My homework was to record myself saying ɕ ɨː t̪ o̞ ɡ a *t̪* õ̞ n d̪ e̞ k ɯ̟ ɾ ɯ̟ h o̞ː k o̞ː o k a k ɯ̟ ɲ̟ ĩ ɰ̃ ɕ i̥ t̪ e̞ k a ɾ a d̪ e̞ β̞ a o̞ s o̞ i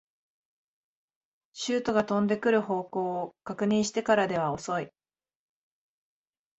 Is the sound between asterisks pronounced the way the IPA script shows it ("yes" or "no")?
yes